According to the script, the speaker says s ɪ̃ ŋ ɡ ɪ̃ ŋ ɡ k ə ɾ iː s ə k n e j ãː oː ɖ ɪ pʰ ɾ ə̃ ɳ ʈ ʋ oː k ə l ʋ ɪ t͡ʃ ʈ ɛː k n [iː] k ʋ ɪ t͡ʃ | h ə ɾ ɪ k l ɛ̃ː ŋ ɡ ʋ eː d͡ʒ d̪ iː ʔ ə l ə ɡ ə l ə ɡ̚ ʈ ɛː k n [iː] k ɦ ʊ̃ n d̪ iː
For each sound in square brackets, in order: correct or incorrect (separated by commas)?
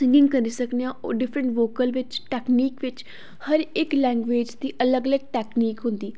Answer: correct, correct